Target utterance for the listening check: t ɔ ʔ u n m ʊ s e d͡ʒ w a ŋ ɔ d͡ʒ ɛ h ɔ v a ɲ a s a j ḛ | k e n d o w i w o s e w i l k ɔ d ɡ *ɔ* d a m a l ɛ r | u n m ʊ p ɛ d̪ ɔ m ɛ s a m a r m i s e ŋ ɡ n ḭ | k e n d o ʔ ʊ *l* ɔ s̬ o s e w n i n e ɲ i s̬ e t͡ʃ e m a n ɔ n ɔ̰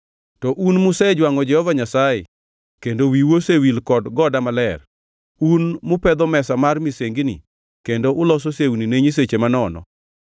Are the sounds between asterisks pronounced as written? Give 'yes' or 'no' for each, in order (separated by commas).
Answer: yes, yes